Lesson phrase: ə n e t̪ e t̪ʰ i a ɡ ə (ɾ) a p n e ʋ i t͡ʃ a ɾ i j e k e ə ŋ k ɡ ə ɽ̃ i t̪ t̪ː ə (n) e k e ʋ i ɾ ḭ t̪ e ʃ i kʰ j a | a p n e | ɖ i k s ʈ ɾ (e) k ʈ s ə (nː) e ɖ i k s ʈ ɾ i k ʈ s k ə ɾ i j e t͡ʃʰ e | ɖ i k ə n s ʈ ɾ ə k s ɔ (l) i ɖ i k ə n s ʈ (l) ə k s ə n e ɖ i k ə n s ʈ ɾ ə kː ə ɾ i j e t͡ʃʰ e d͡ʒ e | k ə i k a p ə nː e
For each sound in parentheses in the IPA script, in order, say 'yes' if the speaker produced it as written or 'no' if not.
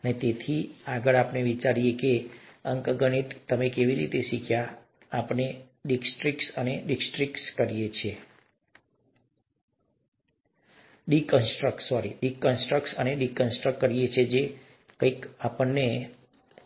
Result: no, no, no, no, no, no

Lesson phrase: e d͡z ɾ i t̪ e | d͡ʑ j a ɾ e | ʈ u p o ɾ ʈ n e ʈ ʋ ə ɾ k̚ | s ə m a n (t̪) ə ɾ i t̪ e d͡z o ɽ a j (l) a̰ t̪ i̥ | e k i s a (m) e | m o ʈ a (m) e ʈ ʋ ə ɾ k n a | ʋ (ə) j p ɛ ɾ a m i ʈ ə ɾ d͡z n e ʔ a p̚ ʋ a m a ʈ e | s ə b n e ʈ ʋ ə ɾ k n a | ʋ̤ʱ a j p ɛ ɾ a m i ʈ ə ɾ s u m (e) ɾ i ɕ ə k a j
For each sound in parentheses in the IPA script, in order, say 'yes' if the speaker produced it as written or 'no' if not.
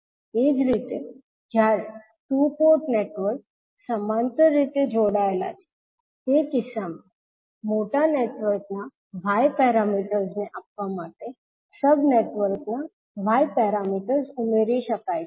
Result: yes, yes, yes, no, no, yes

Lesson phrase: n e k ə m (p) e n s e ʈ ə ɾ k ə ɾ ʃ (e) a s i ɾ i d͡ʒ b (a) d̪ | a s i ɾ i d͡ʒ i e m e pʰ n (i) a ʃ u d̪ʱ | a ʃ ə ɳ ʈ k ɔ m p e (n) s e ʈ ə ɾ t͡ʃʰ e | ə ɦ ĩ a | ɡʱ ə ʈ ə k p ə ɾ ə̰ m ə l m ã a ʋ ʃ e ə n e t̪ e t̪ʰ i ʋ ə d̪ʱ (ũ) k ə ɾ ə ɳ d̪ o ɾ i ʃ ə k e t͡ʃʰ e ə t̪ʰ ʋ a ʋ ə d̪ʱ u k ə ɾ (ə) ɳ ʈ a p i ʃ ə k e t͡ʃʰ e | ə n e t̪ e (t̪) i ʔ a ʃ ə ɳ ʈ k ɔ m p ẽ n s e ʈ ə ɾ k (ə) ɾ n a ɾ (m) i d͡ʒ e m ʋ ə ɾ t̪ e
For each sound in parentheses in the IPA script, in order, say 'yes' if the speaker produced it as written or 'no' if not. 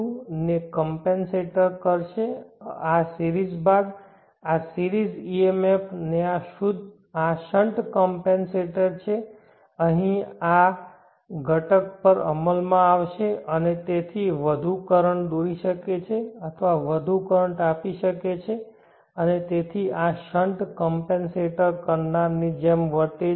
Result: yes, yes, yes, no, yes, no, yes, no, yes, no

